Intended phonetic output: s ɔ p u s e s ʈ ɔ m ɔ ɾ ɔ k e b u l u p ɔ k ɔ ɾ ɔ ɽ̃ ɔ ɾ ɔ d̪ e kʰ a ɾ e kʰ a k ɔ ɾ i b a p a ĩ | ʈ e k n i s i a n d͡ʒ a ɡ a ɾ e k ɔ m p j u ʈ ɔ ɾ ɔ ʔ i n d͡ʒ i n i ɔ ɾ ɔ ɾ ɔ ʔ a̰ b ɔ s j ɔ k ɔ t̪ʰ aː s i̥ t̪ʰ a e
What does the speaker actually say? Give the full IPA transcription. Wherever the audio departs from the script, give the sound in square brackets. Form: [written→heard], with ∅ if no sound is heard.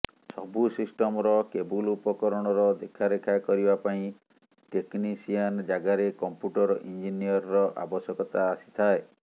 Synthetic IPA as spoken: s ɔ [p→b] u s [e→i] s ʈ ɔ m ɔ ɾ ɔ k e b u l u p ɔ k ɔ ɾ ɔ ɽ̃ ɔ ɾ ɔ d̪ e kʰ a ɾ e kʰ a k ɔ ɾ i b a p a ĩ | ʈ e k n i s i a n d͡ʒ a ɡ a ɾ e k ɔ m p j u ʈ ɔ ɾ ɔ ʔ i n d͡ʒ i n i ɔ ɾ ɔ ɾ ɔ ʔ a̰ b ɔ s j ɔ k ɔ [t̪ʰ→t̪] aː s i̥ t̪ʰ a e

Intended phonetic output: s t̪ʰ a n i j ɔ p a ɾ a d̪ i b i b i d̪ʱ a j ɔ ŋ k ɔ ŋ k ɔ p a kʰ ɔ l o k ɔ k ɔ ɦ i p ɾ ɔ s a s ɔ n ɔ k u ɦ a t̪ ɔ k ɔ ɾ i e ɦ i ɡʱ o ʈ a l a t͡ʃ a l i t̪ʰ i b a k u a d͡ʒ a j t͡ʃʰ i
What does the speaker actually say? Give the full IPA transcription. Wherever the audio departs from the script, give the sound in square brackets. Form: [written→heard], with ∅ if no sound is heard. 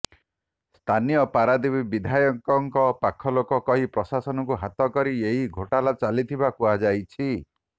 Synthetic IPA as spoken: s t̪ʰ a n i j ɔ p a ɾ a d̪ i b i b i d̪ʱ a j ɔ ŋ k ɔ ŋ k ɔ p a kʰ ɔ l o k ɔ k ɔ ɦ i p ɾ ɔ s a s ɔ n ɔ k u ɦ a t̪ ɔ k ɔ ɾ i e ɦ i ɡʱ o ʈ a l a t͡ʃ a l i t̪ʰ i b a k u a d͡ʒ a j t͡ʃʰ i

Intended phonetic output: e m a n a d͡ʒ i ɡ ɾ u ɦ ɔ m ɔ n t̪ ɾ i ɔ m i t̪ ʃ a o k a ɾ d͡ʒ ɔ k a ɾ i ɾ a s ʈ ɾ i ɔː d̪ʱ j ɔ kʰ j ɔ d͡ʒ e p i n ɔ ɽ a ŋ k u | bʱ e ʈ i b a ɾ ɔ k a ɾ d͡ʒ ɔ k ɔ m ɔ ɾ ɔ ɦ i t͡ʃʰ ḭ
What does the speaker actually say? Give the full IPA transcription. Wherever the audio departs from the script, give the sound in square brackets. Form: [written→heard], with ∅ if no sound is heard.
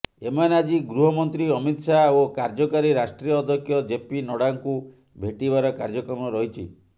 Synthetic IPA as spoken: e m a n a d͡ʒ i ɡ ɾ u ɦ ɔ m ɔ n t̪ ɾ i ɔ m i t̪ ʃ a o k a ɾ d͡ʒ ɔ k a ɾ i ɾ a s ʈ ɾ i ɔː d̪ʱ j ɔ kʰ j ɔ d͡ʒ e p i n ɔ ɽ a ŋ k u | bʱ e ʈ i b a ɾ ɔ k a ɾ d͡ʒ ɔ k ɔ m ɔ ɾ ɔ ɦ i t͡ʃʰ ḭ

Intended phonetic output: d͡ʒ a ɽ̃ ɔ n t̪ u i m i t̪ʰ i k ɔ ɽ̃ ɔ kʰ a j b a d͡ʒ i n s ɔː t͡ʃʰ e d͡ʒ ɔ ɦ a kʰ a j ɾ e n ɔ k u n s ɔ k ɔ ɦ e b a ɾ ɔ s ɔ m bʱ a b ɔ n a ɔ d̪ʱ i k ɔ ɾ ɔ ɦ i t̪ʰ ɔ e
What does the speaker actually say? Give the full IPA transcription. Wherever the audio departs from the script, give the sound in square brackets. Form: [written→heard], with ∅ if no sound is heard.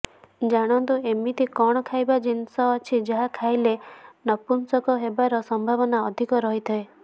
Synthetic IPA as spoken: d͡ʒ a ɽ̃ ɔ n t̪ u [i→e] m i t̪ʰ i k ɔ ɽ̃ ɔ kʰ a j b a d͡ʒ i n s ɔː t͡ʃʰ [e→i] d͡ʒ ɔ ɦ a kʰ a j [ɾ→l] e n ɔ [k→p] u n s ɔ k ɔ ɦ e b a ɾ ɔ s ɔ m bʱ a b ɔ n a ɔ d̪ʱ i k ɔ ɾ ɔ ɦ i t̪ʰ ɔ e

